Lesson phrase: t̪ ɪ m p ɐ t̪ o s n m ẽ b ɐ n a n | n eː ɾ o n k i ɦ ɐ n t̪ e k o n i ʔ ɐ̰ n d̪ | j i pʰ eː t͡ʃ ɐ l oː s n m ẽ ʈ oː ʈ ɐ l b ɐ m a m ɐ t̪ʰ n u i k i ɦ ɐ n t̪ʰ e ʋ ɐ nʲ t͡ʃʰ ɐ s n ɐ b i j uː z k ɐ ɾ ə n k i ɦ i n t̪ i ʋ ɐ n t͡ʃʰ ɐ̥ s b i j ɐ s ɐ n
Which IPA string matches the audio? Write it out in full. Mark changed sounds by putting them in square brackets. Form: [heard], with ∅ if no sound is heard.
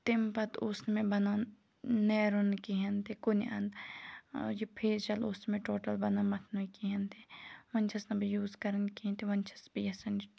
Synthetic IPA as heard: t̪ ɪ m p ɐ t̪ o s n m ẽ b ɐ n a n | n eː ɾ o n k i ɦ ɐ n t̪ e k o n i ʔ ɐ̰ n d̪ | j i pʰ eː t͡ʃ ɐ l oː s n m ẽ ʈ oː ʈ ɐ l b ɐ [n] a m ɐ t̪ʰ n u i k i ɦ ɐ n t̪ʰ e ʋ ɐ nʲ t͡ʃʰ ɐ s n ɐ b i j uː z k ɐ ɾ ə n k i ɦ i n t̪ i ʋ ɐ n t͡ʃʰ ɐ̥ s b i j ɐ s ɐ n